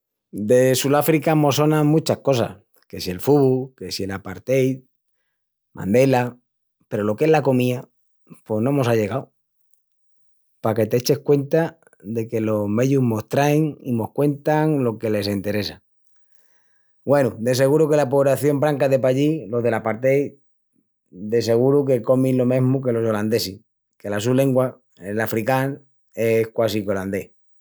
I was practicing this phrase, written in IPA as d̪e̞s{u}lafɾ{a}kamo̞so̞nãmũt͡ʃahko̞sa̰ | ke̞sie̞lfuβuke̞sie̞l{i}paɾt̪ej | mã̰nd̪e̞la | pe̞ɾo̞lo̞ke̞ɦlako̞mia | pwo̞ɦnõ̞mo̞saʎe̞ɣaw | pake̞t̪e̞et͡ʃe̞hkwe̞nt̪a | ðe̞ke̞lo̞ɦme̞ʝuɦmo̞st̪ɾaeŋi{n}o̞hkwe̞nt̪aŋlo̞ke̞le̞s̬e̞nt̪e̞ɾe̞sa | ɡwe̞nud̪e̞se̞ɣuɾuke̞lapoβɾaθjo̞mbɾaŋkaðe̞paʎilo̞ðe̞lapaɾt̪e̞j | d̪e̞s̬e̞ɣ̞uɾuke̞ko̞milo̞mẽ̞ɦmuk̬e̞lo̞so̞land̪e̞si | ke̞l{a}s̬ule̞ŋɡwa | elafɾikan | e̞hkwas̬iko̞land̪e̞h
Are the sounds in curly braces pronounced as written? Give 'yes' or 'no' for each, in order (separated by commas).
yes, no, no, no, yes